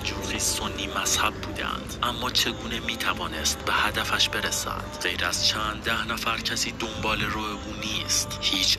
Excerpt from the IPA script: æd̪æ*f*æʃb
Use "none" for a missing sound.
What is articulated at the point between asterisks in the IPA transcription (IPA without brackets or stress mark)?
f